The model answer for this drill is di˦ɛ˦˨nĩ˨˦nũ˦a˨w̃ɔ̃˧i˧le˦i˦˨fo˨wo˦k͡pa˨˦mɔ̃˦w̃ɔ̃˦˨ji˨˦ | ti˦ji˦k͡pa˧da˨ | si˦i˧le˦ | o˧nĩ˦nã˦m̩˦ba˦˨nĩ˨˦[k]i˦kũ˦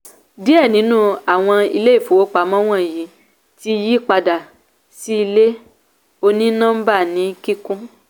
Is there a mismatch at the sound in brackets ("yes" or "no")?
no